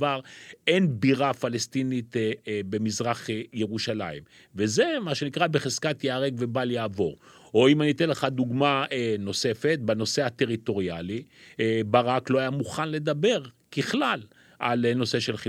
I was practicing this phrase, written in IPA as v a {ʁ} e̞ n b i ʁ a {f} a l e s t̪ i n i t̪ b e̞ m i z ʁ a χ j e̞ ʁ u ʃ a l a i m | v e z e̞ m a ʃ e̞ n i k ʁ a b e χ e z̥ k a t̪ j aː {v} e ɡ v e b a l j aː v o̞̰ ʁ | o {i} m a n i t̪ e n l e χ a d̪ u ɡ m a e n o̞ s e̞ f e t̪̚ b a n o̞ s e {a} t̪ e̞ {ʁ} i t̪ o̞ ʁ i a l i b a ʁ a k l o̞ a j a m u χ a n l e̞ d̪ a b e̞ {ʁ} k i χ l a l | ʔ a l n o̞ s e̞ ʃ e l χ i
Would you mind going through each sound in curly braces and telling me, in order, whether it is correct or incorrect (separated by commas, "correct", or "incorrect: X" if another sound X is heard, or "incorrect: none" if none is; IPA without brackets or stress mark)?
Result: correct, correct, incorrect: ʁ, correct, correct, correct, correct